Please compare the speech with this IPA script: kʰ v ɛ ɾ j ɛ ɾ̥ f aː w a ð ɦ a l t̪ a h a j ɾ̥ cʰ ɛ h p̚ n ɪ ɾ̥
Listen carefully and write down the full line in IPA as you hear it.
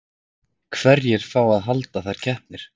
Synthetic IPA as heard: kʰ v ɛ ɾ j ɛ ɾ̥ f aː w a ð ɦ a l t̪ a θ a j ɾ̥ cʰ ɛ h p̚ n ɪ ɾ̥